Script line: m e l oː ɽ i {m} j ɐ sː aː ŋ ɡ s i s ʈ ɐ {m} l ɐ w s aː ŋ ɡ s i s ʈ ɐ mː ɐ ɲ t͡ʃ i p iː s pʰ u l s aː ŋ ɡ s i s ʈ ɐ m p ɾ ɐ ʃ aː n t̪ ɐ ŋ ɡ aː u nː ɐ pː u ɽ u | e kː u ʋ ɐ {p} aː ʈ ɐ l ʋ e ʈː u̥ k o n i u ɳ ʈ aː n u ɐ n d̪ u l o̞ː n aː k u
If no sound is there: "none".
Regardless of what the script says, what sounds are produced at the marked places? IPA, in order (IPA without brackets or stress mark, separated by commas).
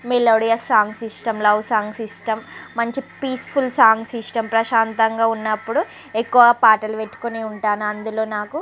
none, m, p